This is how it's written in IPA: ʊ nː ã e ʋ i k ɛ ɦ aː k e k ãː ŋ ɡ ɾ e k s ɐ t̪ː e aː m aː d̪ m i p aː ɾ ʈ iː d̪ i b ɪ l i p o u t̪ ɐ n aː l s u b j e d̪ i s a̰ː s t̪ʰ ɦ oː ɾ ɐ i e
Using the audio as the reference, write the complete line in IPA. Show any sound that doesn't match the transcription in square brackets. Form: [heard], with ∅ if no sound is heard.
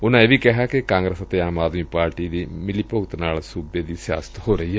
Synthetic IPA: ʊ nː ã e ʋ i k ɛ ɦ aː k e k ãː ŋ ɡ ɾ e [∅] s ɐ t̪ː e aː m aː d̪ m i p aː ɾ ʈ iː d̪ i [m] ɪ l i p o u t̪ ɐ n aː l s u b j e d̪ i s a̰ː s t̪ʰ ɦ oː ɾ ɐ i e

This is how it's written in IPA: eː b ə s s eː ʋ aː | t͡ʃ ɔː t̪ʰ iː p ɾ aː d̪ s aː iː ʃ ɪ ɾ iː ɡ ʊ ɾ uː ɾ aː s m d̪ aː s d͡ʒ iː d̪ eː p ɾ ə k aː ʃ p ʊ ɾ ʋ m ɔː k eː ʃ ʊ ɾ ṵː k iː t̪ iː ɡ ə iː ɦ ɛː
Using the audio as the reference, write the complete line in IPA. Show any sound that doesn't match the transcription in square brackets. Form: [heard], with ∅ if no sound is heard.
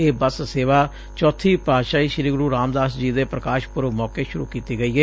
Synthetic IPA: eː b ə s s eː ʋ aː | t͡ʃ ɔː t̪ʰ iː p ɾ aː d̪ [ʃ] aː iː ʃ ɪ ɾ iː ɡ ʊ ɾ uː ɾ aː [∅] m d̪ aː s d͡ʒ iː d̪ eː p ɾ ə k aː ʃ p ʊ ɾ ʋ m ɔː k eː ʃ ʊ ɾ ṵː k iː t̪ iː ɡ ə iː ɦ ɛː

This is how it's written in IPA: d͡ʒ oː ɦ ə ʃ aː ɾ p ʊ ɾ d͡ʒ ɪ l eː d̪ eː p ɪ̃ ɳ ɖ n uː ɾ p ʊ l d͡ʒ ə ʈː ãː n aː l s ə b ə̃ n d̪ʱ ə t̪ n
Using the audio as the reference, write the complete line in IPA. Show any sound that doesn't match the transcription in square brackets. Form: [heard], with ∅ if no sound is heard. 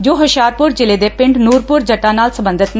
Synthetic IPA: d͡ʒ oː ɦ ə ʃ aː ɾ p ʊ ɾ d͡ʒ ɪ l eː d̪ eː p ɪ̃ ɳ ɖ n uː ɾ p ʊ [ɾ] d͡ʒ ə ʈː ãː n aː l s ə b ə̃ n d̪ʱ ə t̪ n

